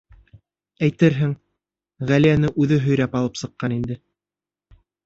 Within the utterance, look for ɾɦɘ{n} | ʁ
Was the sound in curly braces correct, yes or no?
no